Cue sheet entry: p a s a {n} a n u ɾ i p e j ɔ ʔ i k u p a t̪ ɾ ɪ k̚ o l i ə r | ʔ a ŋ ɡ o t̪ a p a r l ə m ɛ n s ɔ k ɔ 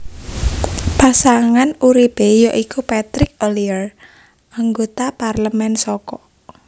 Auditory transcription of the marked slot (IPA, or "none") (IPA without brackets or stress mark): ŋ